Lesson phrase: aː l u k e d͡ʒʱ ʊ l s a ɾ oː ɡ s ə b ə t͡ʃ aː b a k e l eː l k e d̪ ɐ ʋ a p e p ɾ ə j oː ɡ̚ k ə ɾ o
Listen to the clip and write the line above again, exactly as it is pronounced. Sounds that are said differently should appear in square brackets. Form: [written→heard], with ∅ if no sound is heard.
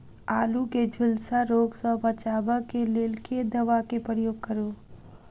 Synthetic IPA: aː l u k e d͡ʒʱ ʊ l s a ɾ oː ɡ s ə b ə t͡ʃ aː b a k e l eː l k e d̪ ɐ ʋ a [p→k] e p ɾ ə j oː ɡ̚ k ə ɾ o